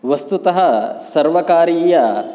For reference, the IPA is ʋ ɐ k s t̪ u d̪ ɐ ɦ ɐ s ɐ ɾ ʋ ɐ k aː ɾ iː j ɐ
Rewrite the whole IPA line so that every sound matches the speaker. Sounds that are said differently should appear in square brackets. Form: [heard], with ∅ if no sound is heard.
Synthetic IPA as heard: ʋ ɐ [∅] s t̪ u [t̪] ɐ ɦ ɐ s ɐ ɾ ʋ ɐ k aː ɾ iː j ɐ